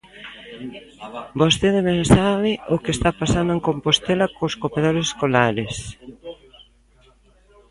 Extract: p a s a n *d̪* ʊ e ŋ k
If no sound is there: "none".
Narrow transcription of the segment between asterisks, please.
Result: d̪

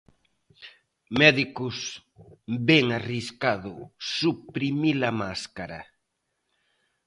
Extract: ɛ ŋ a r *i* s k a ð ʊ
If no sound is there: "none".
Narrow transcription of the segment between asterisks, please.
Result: i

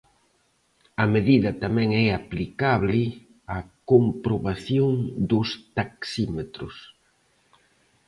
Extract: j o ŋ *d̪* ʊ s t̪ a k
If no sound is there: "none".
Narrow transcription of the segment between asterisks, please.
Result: d̪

